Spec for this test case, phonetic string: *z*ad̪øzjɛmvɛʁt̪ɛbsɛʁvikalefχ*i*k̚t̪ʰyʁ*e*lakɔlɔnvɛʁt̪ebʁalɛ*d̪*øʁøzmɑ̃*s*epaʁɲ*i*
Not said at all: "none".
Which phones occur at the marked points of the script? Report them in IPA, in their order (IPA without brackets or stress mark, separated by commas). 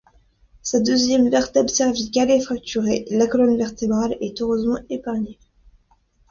s, a, e, t̪, none, e